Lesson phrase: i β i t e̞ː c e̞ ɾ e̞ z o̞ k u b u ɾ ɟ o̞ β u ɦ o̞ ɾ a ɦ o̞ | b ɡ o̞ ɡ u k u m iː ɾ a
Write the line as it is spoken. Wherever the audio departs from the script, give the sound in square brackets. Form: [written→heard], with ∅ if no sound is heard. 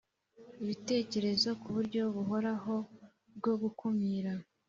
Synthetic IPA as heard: i β i t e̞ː c e̞ ɾ e̞ z o̞ k u [b→β] u ɾ ɟ o̞ β u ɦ o̞ ɾ a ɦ o̞ | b ɡ o̞ ɡ u k u m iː ɾ a